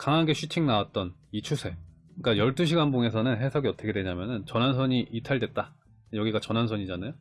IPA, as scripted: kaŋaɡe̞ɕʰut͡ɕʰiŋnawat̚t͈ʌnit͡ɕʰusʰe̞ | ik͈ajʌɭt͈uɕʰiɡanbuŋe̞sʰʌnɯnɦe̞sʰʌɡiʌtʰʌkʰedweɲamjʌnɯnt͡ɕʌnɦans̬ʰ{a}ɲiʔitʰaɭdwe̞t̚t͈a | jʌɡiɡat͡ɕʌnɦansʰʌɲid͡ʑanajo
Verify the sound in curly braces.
incorrect: ʌ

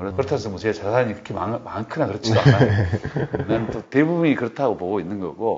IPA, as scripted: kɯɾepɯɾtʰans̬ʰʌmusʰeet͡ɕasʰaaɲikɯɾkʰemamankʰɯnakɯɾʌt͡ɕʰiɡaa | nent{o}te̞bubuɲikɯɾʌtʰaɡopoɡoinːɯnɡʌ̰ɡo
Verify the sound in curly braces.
correct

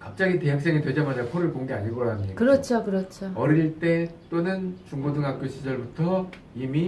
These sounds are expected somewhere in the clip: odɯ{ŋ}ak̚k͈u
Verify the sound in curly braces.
correct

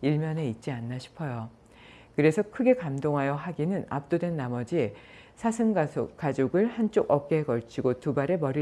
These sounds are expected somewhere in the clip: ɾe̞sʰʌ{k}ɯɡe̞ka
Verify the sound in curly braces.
incorrect: kʰ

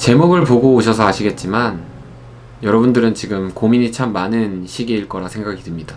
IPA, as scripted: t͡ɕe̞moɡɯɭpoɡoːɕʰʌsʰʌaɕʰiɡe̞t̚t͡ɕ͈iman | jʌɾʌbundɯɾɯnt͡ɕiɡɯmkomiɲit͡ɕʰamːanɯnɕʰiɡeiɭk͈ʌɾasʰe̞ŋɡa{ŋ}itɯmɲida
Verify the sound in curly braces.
incorrect: ɡ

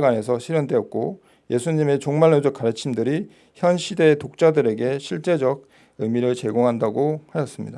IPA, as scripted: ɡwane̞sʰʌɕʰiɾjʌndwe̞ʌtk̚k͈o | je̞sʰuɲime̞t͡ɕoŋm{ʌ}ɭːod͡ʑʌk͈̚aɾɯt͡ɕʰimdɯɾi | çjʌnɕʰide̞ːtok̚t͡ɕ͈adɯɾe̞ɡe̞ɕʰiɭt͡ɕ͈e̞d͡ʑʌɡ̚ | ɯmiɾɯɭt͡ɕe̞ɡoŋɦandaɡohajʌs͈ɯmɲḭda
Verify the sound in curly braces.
incorrect: a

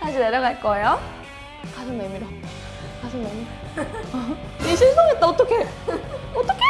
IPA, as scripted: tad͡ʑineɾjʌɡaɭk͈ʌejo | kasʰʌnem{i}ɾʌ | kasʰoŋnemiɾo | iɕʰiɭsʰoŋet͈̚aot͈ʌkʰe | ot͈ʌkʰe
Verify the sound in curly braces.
correct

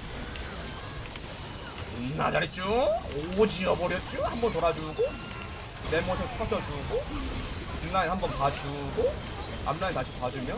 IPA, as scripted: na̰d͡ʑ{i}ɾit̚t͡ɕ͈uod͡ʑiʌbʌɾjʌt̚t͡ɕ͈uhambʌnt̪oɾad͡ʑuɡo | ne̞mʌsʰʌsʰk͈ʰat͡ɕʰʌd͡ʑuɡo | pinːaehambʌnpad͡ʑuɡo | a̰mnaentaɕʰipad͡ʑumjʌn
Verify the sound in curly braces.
incorrect: a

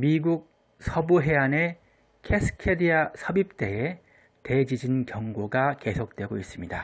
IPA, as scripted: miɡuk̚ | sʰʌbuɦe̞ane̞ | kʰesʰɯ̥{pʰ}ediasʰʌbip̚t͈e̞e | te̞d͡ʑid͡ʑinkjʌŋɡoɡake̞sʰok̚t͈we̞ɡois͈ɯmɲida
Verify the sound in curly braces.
incorrect: kʰ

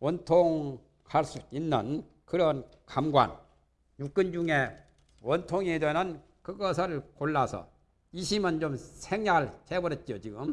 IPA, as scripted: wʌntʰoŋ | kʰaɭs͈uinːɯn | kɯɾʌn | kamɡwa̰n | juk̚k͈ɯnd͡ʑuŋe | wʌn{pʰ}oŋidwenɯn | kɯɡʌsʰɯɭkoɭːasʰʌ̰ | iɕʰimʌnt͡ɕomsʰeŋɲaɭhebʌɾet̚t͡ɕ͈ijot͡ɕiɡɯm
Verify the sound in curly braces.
incorrect: tʰ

